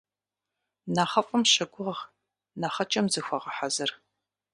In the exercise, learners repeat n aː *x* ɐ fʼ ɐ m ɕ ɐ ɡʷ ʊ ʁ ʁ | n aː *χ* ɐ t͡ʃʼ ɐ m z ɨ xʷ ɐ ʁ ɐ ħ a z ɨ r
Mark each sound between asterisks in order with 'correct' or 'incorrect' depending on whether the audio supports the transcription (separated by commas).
incorrect, correct